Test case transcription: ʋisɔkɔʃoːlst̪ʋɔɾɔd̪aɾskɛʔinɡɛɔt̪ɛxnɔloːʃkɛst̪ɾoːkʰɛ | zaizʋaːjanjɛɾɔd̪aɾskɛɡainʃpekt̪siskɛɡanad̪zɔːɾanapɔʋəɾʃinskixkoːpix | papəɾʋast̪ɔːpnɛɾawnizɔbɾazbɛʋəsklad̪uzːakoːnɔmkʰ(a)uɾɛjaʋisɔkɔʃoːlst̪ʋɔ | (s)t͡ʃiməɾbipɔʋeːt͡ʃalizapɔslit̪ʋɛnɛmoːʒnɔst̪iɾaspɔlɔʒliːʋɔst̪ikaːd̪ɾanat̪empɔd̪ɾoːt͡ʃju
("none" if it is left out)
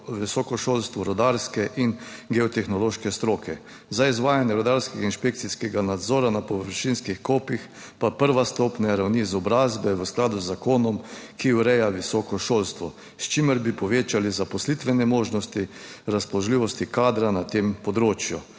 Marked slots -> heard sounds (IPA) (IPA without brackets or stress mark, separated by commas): i, s